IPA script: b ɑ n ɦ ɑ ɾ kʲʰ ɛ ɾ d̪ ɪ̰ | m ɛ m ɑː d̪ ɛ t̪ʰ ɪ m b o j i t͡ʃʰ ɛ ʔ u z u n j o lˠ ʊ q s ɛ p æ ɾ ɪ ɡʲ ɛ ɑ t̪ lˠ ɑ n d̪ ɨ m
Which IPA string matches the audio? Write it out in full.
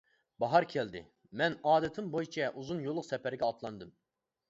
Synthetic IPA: b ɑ ɦ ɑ ɾ kʲʰ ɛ l d̪ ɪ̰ | m ɛ n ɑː d̪ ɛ t̪ʰ ɪ m b o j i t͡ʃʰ ɛ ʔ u z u n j o lˠ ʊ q s ɛ p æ ɾ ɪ ɡʲ ɛ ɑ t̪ lˠ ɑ n d̪ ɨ m